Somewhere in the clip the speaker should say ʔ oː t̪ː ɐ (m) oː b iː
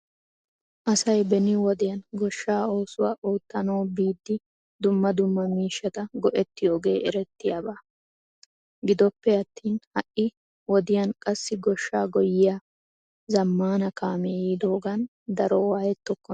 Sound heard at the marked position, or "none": n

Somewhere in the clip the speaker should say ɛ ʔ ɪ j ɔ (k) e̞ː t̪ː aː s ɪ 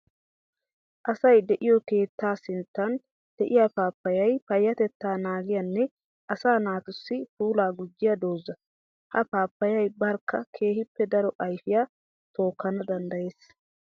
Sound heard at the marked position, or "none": k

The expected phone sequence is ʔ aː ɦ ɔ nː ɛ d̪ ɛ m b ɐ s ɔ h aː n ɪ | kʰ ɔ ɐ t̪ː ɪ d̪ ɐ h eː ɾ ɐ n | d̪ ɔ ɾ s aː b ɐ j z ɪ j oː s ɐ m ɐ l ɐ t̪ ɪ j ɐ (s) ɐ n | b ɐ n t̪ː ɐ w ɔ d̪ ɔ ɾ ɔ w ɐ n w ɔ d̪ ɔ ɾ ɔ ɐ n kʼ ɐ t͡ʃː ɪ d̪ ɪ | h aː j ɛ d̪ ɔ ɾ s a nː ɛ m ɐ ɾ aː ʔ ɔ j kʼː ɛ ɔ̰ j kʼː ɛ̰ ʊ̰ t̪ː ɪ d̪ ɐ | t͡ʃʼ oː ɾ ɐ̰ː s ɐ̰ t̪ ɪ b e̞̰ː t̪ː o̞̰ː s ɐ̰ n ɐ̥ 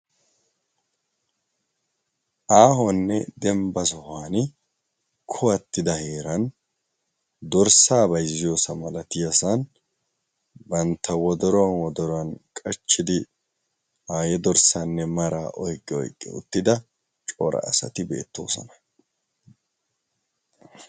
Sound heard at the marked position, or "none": s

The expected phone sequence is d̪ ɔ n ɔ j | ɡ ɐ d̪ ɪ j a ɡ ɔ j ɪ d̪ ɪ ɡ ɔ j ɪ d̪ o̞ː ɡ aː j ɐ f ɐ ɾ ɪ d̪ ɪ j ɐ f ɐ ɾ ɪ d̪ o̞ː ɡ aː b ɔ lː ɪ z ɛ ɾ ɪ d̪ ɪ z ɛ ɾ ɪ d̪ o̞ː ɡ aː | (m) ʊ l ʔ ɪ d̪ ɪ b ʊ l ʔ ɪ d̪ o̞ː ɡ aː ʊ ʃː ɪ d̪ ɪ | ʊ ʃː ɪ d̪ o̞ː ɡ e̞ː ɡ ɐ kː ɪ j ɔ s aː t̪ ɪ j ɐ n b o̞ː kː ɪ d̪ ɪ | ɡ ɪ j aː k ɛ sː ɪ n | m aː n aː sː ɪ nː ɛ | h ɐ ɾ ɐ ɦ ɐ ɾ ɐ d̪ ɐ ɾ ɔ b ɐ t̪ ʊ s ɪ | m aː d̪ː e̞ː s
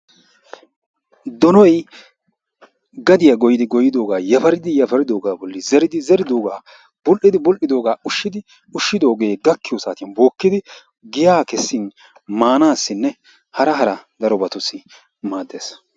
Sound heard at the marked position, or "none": b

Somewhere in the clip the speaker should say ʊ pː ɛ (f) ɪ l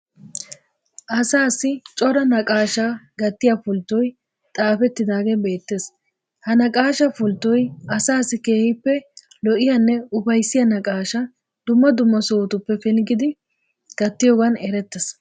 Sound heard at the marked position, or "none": f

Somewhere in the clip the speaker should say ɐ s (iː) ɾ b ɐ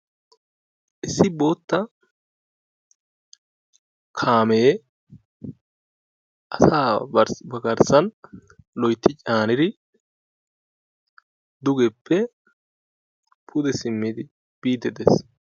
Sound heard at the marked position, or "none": aː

